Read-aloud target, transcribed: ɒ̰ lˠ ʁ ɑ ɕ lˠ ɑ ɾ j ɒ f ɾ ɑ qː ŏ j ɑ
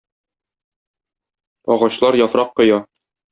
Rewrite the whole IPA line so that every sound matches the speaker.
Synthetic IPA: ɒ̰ ʁ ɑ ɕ lˠ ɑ ɾ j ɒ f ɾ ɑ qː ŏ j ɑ

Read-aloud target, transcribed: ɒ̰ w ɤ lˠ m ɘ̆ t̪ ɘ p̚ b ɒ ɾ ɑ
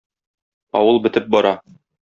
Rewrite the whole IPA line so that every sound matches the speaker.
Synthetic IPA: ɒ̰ w ɤ lˠ b ɘ̆ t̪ ɘ p̚ b ɒ ɾ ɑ

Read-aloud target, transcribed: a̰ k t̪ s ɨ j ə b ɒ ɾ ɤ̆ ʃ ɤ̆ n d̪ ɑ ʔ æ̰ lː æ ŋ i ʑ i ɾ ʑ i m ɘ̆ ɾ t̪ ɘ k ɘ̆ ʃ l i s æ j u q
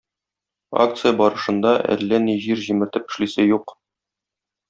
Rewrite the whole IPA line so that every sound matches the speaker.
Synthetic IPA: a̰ k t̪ s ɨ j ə b ɒ ɾ ɤ̆ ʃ ɤ̆ n d̪ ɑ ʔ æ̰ lː æ n i ʑ i ɾ ʑ i m ɘ̆ ɾ t̪ ɘ p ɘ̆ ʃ l i s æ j u q

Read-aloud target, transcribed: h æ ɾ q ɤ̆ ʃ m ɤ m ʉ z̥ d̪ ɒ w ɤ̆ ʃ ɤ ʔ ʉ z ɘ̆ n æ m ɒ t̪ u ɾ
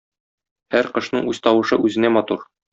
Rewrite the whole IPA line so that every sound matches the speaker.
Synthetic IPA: h æ ɾ q ɤ̆ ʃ n ɤ ɴ ʉ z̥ t̪ ɒ w ɤ̆ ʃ ɤ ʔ ʉ z ɘ̆ n æ m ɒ t̪ u ɾ

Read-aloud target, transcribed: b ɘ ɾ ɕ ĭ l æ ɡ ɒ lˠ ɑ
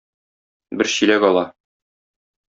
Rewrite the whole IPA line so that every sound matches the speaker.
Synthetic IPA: b ɘ ɾ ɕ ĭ l æ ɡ ɒ lˠ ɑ

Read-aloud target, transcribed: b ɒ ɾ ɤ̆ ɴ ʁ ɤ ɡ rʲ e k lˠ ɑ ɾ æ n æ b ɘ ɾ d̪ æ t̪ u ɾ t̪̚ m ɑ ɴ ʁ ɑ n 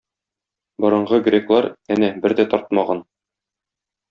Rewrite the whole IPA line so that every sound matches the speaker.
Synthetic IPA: b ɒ ɾ ɤ̆ ɴ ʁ ɤ ɡ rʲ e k lˠ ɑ ɾ æ n æ b ɘ ɾ d̪ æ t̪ ɒ ɾ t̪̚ m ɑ ʁ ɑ n

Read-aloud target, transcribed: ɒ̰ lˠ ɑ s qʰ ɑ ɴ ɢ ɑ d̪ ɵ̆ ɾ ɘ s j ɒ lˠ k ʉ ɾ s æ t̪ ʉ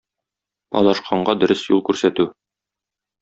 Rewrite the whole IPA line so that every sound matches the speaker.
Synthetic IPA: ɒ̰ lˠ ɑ ʃ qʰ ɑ ɴ ɢ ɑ d̪ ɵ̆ ɾ ɘ s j u lˠ k ʉ ɾ s æ t̪ ʉ

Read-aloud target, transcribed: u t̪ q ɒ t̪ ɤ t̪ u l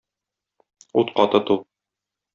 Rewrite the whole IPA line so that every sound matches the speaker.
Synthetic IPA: u t̪ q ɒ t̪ ɤ t̪ u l

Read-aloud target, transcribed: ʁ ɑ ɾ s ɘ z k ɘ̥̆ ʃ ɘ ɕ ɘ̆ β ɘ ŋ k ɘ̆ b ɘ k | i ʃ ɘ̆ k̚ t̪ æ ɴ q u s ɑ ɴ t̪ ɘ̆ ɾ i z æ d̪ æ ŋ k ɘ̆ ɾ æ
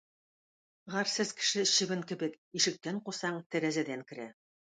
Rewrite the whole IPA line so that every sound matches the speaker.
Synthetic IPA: ʁ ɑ ɾ s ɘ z k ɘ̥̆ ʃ ɘ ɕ ɘ̆ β ɘ ŋ k ɘ̆ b ɘ k | i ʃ ɘ̆ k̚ t̪ æ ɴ q u s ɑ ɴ t̪ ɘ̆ ɾ æ z æ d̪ æ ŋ k ɘ̆ ɾ æ

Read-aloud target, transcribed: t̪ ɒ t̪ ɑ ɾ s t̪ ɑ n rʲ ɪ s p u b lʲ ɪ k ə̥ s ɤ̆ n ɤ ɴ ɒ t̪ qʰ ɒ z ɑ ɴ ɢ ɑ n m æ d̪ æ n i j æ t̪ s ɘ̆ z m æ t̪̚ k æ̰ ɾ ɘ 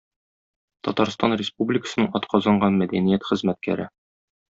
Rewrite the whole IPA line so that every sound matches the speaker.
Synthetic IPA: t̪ ɒ t̪ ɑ ɾ s t̪ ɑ n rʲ ɪ s p u b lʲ ɪ k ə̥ s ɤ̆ n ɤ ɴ ɒ t̪ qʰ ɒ z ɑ ɴ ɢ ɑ n m æ d̪ æ n i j æ t̪ χ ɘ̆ z m æ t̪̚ k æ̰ ɾ ɘ

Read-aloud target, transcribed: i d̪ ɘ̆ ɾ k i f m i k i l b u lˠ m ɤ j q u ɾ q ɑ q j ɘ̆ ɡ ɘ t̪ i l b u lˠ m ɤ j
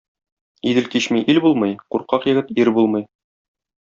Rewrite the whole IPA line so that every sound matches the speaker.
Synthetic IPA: i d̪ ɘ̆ l k i ɕ m i ʔ i l b u lˠ m ɤ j q u ɾ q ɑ q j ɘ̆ ɡ ɘ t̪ i ɾ b u lˠ m ɤ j

